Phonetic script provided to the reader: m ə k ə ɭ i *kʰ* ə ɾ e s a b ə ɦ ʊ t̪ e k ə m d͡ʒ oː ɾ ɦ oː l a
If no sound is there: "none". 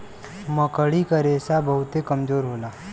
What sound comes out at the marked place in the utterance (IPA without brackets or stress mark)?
k